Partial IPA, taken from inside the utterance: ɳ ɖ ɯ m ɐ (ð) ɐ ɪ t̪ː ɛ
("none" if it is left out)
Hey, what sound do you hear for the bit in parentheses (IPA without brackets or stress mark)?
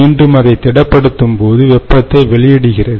ð